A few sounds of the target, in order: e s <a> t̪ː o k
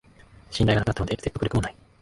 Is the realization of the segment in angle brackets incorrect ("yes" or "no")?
yes